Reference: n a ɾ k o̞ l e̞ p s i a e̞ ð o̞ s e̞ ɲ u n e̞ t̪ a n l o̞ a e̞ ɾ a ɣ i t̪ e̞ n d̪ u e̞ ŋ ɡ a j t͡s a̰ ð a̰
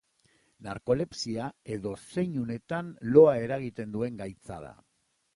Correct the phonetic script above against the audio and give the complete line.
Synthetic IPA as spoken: n a ɾ k o̞ l e̞ p s i a e̞ ð o̞ s e̞ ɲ u n e̞ t̪ a n l o̞ a e̞ ɾ a ɣ i t̪ e̞ n d̪ u e̞ ŋ ɡ a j t͡s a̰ ð a̰